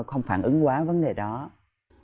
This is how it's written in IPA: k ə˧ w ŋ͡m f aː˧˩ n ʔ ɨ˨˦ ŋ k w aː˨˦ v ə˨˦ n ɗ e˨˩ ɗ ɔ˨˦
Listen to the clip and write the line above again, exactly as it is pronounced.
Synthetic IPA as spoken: x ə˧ w ŋ͡m f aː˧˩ n ʔ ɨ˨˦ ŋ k w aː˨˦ v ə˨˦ n ɗ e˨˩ ɗ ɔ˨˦